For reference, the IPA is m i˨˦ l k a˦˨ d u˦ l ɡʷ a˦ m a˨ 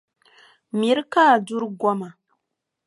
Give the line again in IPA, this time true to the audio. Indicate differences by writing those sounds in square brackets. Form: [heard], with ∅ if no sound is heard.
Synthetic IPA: m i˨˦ [ɾ] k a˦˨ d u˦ [ɾ] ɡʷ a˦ m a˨